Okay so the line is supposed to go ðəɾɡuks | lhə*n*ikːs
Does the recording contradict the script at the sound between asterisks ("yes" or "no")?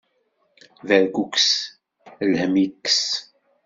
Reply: yes